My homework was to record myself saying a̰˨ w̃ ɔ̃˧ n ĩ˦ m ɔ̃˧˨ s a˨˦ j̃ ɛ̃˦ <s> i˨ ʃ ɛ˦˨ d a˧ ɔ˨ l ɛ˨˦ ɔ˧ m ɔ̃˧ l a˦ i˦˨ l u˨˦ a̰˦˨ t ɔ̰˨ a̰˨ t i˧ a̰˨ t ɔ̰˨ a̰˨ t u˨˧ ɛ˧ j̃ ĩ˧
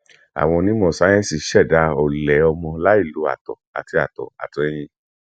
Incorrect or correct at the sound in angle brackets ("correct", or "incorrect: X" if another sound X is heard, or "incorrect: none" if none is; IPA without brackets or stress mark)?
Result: correct